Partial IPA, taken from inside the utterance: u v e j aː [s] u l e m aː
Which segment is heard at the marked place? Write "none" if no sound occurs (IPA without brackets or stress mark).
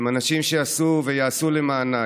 s